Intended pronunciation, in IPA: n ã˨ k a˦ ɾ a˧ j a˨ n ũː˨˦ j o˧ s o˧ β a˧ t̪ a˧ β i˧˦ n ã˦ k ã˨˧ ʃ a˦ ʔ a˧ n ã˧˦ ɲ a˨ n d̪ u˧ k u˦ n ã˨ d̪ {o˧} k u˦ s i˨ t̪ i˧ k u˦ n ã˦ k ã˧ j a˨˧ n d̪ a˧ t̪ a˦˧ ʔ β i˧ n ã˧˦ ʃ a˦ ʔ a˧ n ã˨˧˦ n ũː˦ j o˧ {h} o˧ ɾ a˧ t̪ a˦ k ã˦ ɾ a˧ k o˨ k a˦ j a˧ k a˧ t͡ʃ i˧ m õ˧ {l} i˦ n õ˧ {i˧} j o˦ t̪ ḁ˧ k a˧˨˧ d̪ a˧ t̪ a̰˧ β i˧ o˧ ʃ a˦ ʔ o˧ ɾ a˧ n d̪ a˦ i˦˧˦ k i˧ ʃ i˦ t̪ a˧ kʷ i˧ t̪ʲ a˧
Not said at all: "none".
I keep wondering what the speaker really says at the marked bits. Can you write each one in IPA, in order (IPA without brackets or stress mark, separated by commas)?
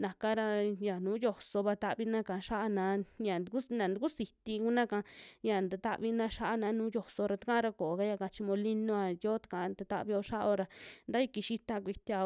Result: u˧, s, l, a˧